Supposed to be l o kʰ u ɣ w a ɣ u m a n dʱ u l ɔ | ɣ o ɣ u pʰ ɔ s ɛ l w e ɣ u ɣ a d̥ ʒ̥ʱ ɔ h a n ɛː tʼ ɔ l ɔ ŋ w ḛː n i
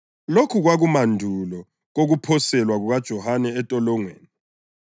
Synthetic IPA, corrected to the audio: l o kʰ u ɣ w a ɣ u m a n dʱ u l ɔ | ɣ o ɣ u pʰ ɔ s ɛ l w a ɣ u ɣ a d̥ ʒ̥ʱ ɔ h a n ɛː tʼ ɔ l ɔ ŋ w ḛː n i